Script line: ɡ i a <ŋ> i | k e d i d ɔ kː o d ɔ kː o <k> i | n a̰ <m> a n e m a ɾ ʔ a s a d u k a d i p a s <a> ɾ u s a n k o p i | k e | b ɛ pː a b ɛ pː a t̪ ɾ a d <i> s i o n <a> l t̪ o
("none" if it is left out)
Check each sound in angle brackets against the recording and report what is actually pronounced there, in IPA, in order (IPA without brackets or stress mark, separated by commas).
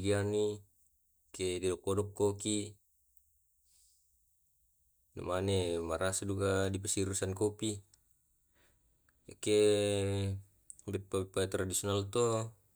n, k, m, i, i, a